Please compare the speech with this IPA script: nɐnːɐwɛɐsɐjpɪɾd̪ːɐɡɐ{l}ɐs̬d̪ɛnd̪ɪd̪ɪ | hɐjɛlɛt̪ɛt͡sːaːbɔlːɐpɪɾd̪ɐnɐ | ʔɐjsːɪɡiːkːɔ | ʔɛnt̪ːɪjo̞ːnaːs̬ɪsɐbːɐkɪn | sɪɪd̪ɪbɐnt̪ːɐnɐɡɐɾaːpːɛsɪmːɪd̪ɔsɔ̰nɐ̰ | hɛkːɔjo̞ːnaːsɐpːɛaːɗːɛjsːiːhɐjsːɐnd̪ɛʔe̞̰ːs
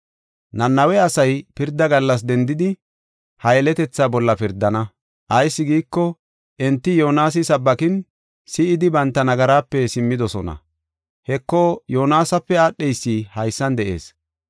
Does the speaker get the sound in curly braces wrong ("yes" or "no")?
yes